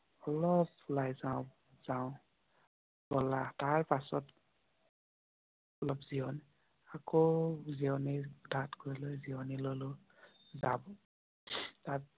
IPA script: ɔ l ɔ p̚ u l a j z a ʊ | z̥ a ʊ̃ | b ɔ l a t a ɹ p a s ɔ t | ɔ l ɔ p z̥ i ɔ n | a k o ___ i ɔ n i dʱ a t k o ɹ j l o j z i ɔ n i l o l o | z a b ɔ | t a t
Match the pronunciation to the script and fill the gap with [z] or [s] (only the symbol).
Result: z